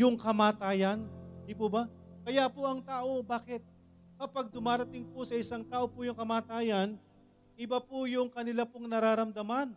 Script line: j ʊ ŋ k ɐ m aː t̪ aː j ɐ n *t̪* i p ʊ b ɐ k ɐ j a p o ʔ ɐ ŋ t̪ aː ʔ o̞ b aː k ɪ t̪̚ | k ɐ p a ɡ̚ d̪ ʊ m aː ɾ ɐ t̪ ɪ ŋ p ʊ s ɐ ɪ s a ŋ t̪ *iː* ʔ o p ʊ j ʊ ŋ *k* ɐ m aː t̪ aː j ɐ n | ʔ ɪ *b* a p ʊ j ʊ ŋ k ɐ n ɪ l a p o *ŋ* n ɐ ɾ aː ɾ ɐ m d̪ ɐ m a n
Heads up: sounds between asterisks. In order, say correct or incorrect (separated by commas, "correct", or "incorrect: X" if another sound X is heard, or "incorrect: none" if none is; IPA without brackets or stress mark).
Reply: incorrect: d̪, incorrect: aː, correct, correct, correct